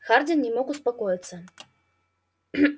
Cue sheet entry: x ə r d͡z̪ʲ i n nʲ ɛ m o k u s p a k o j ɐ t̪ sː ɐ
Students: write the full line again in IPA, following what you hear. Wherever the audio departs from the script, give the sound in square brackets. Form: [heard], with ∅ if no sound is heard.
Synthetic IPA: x [a] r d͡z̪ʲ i n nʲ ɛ m [ɔ] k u s p a k [ɔ] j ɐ t̪ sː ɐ

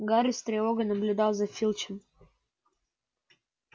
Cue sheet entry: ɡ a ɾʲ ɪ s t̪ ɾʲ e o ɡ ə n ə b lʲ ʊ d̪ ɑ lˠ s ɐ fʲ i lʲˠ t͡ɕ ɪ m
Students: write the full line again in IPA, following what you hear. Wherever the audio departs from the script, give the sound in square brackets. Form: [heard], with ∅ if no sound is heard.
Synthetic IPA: ɡ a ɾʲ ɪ s t̪ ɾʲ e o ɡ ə n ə b lʲ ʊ d̪ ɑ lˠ [z] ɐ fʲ i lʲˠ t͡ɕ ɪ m

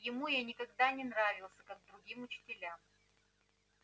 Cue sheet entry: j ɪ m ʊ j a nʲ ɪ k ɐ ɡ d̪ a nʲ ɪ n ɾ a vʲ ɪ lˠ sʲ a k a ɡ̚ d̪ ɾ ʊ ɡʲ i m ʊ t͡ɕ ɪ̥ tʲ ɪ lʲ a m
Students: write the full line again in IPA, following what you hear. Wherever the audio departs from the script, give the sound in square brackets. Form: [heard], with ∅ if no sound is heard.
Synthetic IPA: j ɪ m [u] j a nʲ ɪ k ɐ ɡ d̪ a nʲ ɪ n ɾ a vʲ ɪ lˠ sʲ [ə] k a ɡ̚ d̪ ɾ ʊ ɡʲ i m ʊ t͡ɕ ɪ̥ tʲ ɪ lʲ a m

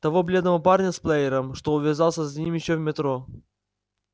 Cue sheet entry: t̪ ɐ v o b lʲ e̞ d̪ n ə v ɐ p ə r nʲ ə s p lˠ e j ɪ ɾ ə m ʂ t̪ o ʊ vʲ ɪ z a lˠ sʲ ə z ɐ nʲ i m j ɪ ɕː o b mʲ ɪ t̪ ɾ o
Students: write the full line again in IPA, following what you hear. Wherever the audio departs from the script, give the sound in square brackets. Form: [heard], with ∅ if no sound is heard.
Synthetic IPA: t̪ ɐ v o b lʲ e̞ d̪ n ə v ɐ p [a] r nʲ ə s p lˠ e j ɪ ɾ ə m ʂ t̪ o ʊ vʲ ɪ z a lˠ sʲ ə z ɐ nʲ i m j ɪ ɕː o [v] mʲ ɪ t̪ ɾ o

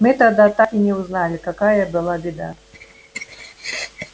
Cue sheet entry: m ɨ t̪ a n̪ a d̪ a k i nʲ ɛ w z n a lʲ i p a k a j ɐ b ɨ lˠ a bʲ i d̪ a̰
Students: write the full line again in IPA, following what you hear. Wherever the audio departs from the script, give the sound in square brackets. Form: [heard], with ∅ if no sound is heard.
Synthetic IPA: m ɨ t̪ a [d̪] a [t̪] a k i nʲ ɛ w z n a lʲ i [k] a k a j ɐ b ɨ lˠ a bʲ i d̪ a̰

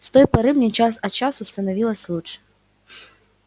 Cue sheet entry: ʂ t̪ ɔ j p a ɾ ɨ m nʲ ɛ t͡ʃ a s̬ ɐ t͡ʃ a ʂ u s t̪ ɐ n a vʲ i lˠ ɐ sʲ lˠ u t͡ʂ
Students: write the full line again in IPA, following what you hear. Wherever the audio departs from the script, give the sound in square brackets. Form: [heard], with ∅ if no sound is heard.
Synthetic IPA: [s] t̪ ɔ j p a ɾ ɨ m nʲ ɛ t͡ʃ a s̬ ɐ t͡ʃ a [s] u s t̪ ɐ n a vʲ i lˠ ɐ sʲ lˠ u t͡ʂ

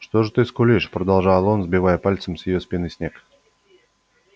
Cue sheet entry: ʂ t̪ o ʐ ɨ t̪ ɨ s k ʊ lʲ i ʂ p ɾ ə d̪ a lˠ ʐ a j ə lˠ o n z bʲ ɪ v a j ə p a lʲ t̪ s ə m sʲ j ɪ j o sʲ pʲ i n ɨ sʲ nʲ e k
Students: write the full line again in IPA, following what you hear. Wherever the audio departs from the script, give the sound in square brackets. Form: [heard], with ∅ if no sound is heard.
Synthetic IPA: ʂ t̪ o ʐ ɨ t̪ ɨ s k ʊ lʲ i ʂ p ɾ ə d̪ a lˠ ʐ a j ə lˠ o n z bʲ ɪ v a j ə p a lʲ t̪ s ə m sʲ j ɪ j o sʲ pʲ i n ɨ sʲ nʲ e k

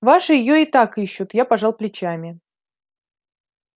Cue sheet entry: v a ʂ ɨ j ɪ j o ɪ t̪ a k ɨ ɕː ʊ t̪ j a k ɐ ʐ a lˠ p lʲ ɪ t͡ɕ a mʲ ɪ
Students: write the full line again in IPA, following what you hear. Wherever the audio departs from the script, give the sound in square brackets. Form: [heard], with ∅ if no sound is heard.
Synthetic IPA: v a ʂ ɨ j ɪ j o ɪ t̪ a k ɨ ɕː ʊ t̪ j a [p] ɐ ʐ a lˠ p lʲ ɪ t͡ɕ a mʲ ɪ

